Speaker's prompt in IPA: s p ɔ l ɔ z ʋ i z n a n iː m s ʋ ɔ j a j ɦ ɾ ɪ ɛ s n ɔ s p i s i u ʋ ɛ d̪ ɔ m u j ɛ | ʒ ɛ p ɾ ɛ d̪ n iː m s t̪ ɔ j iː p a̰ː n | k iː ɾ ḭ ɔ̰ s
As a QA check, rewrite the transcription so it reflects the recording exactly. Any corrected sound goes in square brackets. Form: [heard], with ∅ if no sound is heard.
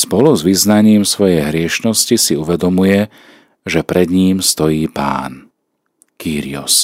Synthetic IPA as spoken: s p ɔ l [u] z ʋ i z n a [ɲ] iː m s ʋ ɔ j [ɛ] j ɦ ɾ ɪ ɛ [ʃ] n ɔ s [c] i s i u ʋ ɛ d̪ ɔ m u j ɛ | ʒ ɛ p ɾ ɛ d̪ [ɲ] iː m s t̪ ɔ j iː p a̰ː n | k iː ɾ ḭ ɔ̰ s